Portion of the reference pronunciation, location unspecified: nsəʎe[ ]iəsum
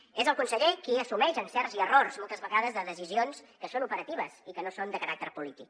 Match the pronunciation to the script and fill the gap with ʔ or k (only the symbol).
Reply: k